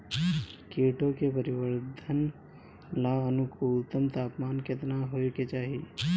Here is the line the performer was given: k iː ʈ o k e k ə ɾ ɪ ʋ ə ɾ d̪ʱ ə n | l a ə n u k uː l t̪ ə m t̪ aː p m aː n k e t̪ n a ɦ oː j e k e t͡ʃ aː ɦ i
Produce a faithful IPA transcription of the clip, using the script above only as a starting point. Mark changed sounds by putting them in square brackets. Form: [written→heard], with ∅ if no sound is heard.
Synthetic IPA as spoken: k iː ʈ o k e [k→p] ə ɾ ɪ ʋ ə ɾ d̪ʱ ə n | l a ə n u k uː l t̪ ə m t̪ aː p m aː n k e t̪ n a ɦ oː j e k e t͡ʃ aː ɦ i